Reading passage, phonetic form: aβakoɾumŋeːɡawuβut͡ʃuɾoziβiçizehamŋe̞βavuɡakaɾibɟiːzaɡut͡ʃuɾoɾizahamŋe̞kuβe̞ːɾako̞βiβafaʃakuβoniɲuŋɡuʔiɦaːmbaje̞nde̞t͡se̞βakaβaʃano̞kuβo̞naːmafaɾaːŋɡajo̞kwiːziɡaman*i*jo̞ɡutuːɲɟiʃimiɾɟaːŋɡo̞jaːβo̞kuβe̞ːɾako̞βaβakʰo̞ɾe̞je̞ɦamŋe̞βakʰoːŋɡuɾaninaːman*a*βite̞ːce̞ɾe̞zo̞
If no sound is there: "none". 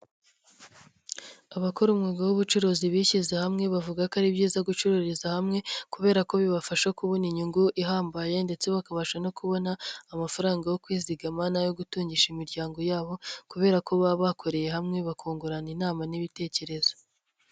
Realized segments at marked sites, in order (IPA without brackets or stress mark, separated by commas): a, i